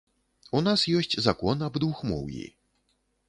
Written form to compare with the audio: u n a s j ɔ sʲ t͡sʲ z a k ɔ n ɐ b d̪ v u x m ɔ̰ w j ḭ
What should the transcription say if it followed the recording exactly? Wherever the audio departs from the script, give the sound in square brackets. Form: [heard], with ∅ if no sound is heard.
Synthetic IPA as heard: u n a s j ɔ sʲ t͡sʲ z a k ɔ n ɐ b d̪ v u x m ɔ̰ w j ḭ